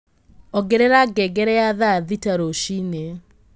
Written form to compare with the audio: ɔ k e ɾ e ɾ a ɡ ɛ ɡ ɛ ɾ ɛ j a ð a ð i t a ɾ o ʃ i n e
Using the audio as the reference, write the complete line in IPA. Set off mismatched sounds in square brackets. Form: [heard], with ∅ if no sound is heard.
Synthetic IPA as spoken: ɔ [ɡ] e ɾ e ɾ a ɡ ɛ ɡ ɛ ɾ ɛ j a ð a ð i t a ɾ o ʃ i n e

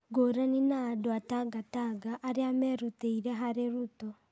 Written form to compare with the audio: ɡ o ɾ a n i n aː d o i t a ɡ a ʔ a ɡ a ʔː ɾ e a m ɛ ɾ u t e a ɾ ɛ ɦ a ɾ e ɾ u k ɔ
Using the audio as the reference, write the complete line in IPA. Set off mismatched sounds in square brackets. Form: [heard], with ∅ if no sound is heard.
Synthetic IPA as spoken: ɡ o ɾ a n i n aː d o [a] t a ɡ a [t] a ɡ a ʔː ɾ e a m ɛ ɾ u t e [i] ɾ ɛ ɦ a ɾ e ɾ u [t] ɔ

